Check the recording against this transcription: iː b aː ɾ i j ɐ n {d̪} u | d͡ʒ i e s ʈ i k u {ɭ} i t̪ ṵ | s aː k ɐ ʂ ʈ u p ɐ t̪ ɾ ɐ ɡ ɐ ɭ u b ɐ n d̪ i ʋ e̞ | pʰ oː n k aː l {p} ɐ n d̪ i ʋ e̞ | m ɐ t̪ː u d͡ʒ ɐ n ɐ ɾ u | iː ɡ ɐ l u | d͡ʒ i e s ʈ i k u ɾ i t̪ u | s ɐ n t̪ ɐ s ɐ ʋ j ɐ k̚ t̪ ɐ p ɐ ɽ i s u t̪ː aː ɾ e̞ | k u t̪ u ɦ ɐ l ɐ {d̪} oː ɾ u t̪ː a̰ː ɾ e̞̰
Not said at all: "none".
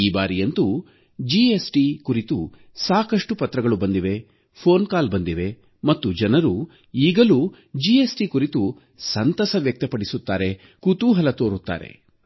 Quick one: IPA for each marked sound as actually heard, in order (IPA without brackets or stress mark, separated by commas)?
t̪, ɾ, b, t̪